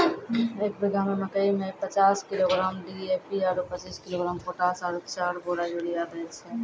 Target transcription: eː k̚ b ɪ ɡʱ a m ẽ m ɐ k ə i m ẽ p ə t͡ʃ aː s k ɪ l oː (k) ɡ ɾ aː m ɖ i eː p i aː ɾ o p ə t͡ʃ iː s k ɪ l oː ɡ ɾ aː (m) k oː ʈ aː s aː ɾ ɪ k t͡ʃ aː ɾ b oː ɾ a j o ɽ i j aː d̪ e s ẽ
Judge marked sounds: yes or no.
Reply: no, yes

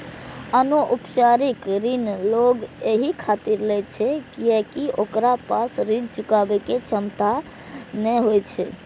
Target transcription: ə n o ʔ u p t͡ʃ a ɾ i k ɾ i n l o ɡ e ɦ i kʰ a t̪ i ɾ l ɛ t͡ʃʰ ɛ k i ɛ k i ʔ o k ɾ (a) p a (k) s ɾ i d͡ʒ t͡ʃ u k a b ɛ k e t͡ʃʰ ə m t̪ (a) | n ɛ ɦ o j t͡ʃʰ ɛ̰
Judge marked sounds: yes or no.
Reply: yes, no, yes

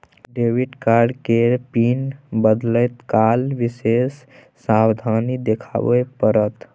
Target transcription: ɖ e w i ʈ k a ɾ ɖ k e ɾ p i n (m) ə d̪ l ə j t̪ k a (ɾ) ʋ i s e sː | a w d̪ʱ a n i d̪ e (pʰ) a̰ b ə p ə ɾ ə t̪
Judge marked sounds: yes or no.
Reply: no, no, no

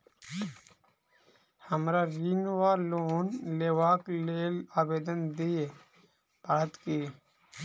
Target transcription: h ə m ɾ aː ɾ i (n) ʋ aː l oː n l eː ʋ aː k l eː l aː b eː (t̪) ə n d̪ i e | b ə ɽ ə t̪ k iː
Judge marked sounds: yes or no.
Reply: yes, no

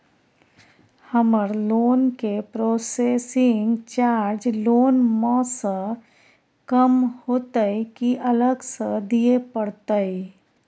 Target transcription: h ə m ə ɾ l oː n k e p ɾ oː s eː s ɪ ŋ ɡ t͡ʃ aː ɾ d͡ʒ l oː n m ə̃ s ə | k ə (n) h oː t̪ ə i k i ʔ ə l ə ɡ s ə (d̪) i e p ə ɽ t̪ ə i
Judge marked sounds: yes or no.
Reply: no, yes

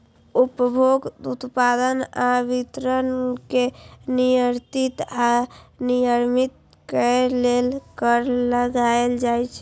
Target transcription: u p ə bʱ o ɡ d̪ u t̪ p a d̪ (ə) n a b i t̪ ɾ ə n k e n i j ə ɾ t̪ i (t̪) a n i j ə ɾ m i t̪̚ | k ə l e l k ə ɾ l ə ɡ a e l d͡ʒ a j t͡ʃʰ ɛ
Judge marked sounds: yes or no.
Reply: yes, yes

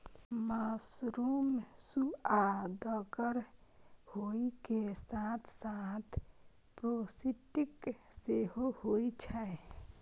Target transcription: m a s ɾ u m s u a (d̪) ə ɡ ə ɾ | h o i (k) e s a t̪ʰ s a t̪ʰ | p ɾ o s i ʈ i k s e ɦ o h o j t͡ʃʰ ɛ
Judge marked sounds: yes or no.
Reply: yes, yes

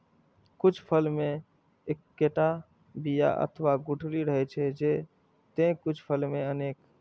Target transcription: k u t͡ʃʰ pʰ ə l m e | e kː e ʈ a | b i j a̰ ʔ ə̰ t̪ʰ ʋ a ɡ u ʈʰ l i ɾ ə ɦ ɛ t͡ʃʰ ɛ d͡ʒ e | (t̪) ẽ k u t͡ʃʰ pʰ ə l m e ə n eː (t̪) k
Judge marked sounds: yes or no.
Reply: yes, no

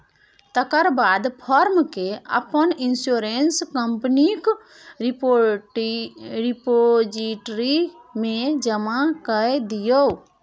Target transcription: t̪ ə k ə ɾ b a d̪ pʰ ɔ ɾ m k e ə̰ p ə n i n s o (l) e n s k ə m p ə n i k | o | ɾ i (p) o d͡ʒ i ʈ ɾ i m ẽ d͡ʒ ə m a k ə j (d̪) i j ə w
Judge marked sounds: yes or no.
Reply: no, yes, yes

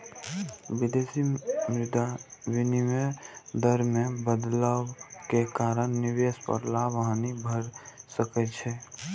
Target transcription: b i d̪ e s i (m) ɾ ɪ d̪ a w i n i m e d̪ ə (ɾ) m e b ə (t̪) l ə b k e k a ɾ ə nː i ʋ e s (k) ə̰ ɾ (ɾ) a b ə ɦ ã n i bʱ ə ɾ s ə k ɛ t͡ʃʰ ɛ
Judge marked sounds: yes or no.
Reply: yes, yes, no, no, no

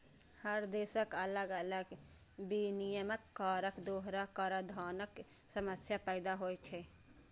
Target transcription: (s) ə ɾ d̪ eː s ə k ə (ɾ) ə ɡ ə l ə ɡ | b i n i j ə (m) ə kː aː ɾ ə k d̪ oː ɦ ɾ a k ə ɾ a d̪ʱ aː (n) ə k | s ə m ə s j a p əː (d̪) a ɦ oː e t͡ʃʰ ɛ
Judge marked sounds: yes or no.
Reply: no, no, yes, yes, yes

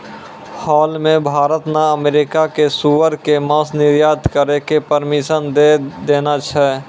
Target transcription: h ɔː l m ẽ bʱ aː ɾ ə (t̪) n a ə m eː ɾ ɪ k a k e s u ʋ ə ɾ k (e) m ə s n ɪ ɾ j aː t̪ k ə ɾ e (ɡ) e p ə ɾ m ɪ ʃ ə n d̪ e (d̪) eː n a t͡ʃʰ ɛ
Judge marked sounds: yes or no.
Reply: yes, yes, no, yes

